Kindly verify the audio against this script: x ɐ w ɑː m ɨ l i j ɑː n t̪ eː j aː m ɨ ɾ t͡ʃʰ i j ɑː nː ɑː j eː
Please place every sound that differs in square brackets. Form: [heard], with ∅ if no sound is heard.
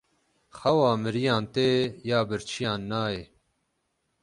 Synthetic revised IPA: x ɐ w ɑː m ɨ [ɾ] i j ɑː n t̪ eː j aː [b] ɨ ɾ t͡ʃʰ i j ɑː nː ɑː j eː